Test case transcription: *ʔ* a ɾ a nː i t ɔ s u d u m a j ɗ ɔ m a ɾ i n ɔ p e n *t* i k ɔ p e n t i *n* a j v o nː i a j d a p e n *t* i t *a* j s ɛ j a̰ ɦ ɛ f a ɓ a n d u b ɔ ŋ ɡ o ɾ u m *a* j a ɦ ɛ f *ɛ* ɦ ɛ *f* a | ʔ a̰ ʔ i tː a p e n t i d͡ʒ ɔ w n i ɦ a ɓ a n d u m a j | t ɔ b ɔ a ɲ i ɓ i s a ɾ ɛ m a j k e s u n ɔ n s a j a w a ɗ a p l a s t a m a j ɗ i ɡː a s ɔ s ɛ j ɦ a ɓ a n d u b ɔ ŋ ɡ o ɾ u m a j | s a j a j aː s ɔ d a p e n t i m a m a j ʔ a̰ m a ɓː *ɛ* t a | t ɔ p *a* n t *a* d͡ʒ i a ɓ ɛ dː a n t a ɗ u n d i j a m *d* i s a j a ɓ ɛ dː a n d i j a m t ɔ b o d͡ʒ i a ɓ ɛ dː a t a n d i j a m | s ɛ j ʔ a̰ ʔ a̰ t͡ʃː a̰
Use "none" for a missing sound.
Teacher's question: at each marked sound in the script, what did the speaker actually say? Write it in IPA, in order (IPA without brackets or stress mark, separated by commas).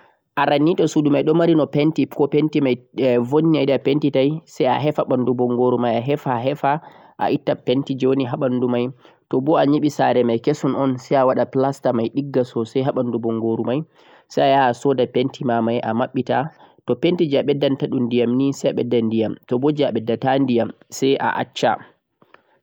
ʔ, t, m, t, a, a, a, f, i, e, i, n